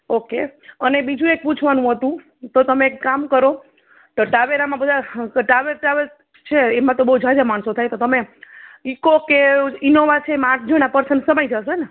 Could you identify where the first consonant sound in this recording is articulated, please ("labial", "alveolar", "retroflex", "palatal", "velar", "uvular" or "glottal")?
velar